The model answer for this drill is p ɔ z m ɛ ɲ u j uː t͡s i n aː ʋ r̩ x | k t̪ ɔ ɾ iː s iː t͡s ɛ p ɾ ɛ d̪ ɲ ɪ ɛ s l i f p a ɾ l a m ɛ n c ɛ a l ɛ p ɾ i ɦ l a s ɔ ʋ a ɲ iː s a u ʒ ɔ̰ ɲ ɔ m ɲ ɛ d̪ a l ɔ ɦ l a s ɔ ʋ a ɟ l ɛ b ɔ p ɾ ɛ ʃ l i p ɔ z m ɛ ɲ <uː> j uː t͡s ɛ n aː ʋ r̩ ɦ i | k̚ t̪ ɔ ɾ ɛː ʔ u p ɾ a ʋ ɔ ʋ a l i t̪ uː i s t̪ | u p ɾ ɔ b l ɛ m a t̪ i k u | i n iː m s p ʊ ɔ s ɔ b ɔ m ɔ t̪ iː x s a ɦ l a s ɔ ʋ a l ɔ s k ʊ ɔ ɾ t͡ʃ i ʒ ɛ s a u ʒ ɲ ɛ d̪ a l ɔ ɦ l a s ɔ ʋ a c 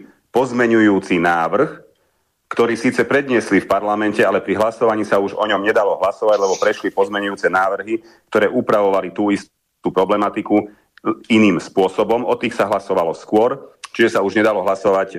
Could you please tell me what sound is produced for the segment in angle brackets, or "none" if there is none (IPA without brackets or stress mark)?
u